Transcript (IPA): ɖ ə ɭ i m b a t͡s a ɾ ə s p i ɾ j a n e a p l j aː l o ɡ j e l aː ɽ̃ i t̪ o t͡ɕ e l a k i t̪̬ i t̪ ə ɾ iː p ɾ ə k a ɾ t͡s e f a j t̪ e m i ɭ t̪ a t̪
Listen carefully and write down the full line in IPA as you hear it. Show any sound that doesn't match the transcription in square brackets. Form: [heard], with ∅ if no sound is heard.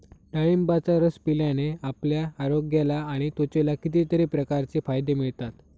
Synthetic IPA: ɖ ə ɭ i m b a t͡s a ɾ ə s p i [l] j a n e a p l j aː [ɾ] o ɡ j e l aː ɽ̃ i t̪ o t͡ɕ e l a k i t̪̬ i t̪ ə ɾ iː p ɾ ə k a ɾ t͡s e f a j [d̪] e m i ɭ t̪ a t̪